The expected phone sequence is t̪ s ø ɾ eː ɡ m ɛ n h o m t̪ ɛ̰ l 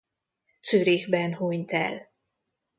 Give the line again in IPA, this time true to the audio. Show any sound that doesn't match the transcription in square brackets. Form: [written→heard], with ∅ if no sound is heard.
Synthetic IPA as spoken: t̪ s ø ɾ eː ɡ [m→b] ɛ n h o [m→ɲ] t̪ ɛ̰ l